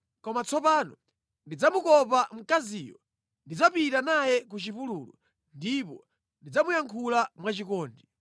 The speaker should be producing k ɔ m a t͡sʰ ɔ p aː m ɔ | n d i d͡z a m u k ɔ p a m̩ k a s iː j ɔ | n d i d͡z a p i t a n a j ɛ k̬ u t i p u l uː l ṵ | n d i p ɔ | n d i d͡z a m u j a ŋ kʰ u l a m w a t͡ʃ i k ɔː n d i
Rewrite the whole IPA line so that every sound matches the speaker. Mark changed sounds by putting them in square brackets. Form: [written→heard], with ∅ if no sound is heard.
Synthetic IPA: k ɔ m a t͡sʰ ɔ p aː [m→n] ɔ | n d i d͡z a m u k ɔ p a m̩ k a [s→z] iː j ɔ | n d i d͡z a p i t a n a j ɛ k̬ u [t→t͡ʃ] i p u l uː l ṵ | n d i p ɔ | n d i d͡z a m u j a ŋ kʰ u l a m w a t͡ʃ i k ɔː n d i